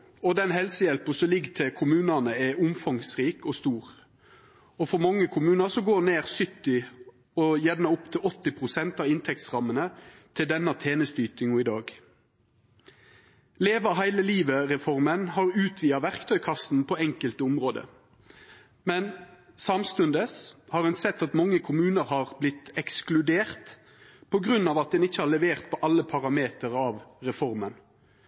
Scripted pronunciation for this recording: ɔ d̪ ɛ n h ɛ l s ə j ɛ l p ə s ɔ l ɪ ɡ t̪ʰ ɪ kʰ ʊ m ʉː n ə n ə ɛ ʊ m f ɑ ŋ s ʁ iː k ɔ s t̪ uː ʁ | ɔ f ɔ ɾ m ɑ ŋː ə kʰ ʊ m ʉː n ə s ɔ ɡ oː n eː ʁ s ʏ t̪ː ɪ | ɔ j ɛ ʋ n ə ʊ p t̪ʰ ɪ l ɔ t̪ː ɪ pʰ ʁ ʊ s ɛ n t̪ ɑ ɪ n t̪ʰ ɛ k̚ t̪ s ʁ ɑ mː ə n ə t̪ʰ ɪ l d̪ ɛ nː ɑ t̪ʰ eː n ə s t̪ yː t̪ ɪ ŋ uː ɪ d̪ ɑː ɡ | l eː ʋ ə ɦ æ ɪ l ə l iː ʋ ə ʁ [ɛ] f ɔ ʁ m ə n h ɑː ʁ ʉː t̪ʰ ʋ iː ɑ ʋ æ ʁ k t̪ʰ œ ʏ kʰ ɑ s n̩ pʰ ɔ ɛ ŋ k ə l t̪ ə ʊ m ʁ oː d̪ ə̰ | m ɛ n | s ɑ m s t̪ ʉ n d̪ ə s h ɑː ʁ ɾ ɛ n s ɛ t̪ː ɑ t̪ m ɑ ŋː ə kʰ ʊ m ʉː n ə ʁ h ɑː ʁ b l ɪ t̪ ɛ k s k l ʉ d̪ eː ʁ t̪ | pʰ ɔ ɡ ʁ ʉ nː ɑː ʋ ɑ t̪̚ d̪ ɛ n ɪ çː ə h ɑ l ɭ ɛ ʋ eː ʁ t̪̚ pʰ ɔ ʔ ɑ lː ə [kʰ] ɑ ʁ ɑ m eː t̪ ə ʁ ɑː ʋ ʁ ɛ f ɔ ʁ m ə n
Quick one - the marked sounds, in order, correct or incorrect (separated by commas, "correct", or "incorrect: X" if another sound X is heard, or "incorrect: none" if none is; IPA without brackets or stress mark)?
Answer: correct, incorrect: pʰ